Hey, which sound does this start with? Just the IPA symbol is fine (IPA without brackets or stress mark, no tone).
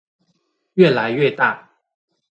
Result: ɥ